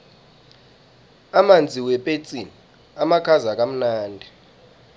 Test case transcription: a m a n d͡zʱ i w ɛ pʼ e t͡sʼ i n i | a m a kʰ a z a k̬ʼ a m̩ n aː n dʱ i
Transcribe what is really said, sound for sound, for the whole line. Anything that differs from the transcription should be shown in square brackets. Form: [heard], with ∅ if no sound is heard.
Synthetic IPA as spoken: a m a n d͡zʱ i w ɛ pʼ e t͡sʼ i n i | a m a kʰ a z a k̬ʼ a m̩ n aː n dʱ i